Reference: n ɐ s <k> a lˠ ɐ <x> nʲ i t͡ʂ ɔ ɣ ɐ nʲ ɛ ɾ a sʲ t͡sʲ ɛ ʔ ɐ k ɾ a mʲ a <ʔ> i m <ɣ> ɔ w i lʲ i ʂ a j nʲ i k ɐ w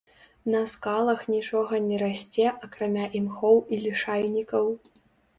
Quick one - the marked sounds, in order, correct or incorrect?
correct, correct, correct, incorrect: x

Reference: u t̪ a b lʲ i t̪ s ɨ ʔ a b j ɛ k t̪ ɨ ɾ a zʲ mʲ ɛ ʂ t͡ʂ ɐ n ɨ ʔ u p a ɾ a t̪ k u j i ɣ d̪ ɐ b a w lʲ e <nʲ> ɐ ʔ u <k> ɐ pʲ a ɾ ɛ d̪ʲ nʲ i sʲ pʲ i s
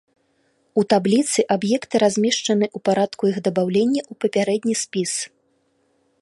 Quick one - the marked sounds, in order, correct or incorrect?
incorrect: nʲː, incorrect: p

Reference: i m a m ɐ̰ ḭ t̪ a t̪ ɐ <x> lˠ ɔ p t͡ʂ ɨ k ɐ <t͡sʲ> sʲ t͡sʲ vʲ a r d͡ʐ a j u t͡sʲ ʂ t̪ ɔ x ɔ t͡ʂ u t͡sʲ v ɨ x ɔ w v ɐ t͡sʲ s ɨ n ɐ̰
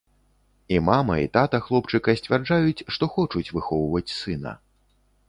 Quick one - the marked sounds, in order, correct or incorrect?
correct, incorrect: none

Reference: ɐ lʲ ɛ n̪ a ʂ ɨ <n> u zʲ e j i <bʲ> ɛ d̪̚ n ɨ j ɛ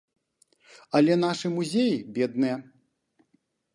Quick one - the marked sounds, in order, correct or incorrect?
incorrect: m, correct

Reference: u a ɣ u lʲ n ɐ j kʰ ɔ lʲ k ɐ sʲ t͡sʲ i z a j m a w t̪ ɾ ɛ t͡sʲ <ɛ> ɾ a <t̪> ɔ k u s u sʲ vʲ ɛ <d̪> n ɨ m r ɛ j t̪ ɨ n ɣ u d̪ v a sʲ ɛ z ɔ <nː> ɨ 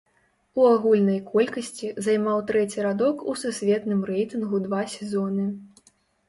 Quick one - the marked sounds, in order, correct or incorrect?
incorrect: i, incorrect: d̪, incorrect: t̪, incorrect: n

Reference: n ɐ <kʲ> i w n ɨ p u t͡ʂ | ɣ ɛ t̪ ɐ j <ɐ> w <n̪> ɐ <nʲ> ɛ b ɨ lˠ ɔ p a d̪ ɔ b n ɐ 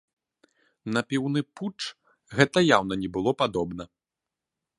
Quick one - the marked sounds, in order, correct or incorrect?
incorrect: pʲ, incorrect: a, correct, correct

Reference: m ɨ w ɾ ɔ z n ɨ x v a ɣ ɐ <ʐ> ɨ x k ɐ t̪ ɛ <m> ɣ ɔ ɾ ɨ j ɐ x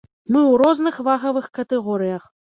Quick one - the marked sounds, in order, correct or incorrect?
incorrect: v, incorrect: none

